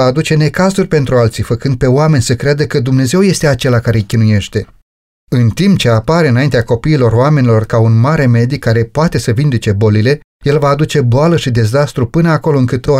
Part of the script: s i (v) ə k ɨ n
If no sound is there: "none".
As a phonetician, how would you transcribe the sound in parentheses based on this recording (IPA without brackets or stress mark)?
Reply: f